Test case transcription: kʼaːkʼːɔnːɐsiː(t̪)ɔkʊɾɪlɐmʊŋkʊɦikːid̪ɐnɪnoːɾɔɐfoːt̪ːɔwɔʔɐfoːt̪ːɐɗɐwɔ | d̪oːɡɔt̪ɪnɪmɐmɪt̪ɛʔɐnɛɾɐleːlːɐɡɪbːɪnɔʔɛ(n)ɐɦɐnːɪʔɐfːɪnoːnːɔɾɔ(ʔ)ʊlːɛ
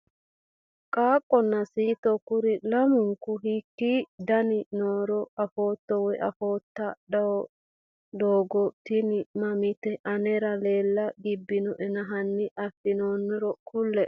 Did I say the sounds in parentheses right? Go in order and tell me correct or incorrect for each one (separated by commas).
correct, correct, incorrect